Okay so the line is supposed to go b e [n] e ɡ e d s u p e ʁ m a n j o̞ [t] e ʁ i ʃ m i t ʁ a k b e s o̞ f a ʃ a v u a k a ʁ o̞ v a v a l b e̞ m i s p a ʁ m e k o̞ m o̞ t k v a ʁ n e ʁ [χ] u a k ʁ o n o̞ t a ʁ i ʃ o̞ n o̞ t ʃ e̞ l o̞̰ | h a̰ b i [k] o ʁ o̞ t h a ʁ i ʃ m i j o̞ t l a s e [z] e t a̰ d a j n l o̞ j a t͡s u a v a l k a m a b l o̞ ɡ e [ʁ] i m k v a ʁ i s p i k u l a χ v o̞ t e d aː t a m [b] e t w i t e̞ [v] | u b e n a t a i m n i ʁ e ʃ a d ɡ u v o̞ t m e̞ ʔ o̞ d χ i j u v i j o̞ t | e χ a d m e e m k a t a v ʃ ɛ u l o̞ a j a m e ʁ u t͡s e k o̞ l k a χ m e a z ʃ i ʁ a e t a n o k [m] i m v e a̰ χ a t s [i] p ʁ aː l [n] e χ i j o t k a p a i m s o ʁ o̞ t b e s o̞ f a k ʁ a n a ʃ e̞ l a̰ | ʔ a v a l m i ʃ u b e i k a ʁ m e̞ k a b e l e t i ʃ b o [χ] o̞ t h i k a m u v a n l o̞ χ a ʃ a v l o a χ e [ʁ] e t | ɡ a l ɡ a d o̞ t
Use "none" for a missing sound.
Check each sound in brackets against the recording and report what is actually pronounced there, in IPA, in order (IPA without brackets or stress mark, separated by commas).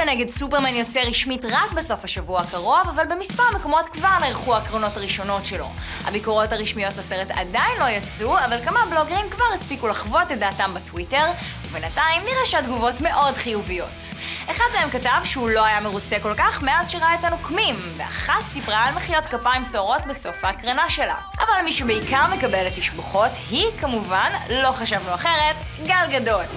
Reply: n, t͡s, χ, k, ʁ, ʁ, b, ʁ, m, i, m, χ, ʁ